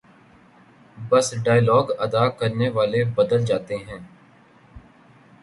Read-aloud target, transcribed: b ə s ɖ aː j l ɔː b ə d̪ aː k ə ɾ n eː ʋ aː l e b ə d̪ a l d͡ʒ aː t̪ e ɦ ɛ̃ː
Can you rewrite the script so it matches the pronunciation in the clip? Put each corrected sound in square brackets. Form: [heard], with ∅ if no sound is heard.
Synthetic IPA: b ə s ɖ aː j l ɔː [ɡ] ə d̪ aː k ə ɾ n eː ʋ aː l e b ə d̪ [ə] l d͡ʒ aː t̪ e ɦ ɛ̃ː